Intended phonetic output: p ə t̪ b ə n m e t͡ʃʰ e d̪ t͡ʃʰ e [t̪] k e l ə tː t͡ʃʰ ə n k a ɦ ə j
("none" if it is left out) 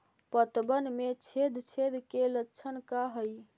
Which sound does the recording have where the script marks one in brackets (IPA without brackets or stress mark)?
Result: d̪